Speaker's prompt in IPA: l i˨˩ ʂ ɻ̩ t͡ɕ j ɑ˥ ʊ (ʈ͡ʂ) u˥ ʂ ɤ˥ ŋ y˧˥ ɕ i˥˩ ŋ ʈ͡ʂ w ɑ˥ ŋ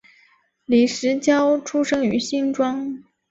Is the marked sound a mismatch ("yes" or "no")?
yes